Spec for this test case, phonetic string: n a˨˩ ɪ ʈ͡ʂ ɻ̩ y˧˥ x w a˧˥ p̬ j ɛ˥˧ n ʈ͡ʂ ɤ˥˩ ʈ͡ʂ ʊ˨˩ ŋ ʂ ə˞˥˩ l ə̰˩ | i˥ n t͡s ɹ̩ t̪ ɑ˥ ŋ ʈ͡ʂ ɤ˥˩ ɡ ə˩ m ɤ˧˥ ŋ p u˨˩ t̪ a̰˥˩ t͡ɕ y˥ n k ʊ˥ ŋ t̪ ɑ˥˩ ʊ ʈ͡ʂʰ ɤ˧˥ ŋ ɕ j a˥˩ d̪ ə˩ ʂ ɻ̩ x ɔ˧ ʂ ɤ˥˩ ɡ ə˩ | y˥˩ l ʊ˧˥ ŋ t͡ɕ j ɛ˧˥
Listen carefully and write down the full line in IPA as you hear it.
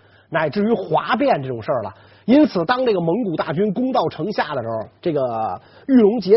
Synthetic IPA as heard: n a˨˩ ɪ ʈ͡ʂ ɻ̩ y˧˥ x w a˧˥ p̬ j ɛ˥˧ n ʈ͡ʂ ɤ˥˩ ʈ͡ʂ ʊ˨˩ ŋ ʂ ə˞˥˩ l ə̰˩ | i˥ n t͡sʰ ɹ̩ t̪ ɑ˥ ŋ ʈ͡ʂ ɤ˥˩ ɡ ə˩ m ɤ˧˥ ŋ k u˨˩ t̪ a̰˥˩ t͡ɕ y˥ n k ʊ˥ ŋ t̪ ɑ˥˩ ʊ ʈ͡ʂʰ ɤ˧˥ ŋ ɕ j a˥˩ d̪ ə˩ ʂ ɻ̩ x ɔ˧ ʈ͡ʂ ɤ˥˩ ɡ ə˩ | y˥˩ l ʊ˧˥ ŋ t͡ɕ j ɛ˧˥